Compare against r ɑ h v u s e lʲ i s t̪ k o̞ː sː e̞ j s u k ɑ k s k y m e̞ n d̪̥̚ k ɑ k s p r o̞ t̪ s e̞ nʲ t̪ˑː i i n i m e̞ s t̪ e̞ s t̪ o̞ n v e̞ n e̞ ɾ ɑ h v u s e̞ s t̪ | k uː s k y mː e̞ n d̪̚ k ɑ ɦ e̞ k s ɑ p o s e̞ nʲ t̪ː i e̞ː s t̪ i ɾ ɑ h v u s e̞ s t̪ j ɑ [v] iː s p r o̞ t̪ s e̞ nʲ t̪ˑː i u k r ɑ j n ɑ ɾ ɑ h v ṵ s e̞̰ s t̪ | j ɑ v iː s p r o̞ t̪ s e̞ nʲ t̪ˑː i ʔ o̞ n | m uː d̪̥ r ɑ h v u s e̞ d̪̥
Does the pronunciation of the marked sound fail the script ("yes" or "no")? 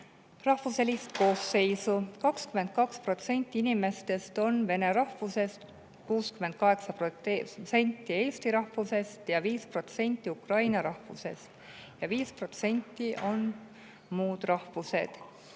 no